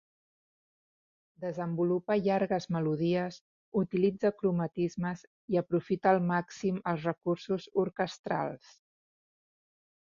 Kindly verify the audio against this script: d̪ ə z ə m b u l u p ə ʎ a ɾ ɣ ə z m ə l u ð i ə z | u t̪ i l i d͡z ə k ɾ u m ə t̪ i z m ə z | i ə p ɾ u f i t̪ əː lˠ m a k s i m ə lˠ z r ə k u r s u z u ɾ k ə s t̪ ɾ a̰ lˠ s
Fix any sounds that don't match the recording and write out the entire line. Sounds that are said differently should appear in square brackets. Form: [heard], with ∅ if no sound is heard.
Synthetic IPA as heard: d̪ ə z ə m b u l u p ə ʎ a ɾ ɣ ə z m ə l u ð i ə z | u t̪ i l i d͡z ə k ɾ u m ə t̪ i z m ə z | i ə p ɾ u f i t̪ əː lˠ m a k s i m ə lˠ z r ə k u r s u z u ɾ k ə s t̪ ɾ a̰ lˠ s